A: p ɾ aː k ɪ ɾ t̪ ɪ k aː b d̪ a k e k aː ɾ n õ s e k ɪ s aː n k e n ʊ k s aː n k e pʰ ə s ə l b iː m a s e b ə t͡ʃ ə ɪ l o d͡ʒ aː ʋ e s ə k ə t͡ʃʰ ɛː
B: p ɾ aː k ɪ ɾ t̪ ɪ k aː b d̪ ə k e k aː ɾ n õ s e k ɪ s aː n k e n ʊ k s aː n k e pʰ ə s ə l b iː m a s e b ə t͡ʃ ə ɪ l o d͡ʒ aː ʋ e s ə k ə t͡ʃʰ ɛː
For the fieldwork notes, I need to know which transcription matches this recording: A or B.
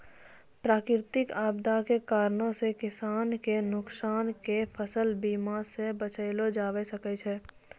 A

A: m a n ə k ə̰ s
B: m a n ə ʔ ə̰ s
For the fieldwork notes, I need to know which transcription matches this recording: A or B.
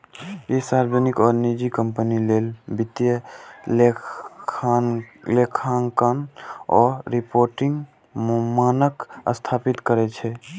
A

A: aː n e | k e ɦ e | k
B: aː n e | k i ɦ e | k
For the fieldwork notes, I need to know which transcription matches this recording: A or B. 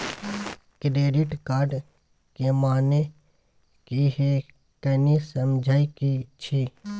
B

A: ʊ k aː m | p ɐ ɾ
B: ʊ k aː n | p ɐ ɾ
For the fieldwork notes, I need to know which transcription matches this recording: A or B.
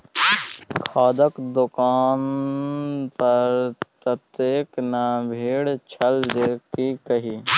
B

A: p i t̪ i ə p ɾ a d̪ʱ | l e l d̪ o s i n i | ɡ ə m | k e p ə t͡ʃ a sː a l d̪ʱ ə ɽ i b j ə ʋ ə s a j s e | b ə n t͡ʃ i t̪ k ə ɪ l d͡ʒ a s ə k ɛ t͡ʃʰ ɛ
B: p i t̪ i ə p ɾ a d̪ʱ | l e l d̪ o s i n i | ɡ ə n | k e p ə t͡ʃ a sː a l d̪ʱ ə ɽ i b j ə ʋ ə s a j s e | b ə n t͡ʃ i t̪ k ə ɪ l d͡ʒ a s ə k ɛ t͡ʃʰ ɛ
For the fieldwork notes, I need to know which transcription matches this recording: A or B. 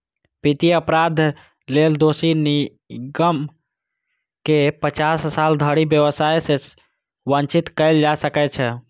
A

